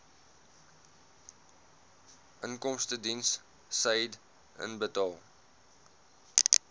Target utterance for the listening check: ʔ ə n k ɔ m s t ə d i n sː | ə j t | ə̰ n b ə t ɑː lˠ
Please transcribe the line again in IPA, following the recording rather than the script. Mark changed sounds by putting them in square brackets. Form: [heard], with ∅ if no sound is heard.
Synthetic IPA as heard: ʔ ə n k ɔ m s t ə d i n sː | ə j [d] | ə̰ n b ə t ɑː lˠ